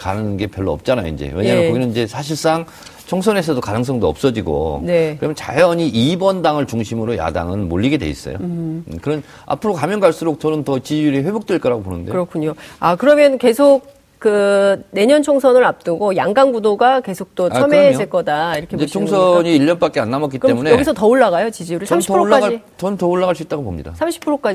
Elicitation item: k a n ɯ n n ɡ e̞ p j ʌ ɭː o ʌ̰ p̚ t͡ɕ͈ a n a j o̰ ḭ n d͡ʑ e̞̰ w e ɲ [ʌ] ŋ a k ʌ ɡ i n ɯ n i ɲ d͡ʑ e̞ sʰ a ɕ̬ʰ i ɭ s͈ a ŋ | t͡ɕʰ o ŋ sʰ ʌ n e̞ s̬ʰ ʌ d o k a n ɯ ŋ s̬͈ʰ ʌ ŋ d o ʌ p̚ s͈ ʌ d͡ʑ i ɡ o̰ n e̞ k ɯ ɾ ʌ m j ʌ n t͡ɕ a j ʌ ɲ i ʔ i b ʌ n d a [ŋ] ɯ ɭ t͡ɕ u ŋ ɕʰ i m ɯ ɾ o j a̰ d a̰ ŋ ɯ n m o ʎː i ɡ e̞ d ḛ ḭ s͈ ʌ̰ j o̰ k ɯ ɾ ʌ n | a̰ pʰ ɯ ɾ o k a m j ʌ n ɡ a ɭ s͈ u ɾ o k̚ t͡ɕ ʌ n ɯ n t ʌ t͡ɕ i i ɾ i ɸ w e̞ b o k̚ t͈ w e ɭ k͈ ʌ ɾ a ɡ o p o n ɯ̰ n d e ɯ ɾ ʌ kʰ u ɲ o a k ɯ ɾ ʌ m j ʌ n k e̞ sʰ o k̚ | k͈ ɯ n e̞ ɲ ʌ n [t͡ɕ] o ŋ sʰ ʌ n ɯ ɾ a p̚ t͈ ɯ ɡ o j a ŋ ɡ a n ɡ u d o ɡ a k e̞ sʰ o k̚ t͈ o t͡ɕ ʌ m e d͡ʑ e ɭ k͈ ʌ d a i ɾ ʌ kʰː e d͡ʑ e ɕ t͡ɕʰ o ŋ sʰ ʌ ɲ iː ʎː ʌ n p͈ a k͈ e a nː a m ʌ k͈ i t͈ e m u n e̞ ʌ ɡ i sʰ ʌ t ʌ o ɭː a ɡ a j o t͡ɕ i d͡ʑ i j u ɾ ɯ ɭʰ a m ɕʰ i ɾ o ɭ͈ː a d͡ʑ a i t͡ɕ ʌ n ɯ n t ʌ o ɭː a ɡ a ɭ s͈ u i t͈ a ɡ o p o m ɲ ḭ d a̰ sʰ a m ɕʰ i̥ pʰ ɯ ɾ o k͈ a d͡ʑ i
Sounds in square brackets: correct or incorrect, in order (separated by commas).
incorrect, correct, incorrect